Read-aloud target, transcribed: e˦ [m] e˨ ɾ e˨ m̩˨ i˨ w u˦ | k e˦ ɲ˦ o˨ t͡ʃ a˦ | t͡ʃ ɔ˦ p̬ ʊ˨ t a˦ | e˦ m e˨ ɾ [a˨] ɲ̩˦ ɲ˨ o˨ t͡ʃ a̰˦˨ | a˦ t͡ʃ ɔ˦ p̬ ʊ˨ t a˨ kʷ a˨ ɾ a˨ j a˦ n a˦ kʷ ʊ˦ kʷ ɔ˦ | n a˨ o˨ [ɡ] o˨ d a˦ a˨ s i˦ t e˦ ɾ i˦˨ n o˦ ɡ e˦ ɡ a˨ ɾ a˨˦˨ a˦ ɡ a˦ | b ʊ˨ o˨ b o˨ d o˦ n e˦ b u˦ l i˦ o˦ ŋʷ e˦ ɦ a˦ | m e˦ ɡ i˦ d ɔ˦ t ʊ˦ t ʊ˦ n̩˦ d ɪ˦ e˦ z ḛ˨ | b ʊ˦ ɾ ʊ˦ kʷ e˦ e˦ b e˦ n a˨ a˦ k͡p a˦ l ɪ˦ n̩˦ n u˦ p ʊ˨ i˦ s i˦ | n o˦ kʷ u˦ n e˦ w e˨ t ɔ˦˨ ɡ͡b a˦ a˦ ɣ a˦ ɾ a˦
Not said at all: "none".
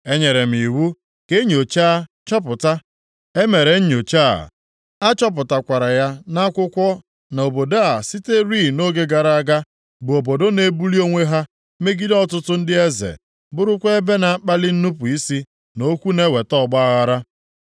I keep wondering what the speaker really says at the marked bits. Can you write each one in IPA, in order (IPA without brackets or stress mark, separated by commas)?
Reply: ɲ, e˨, b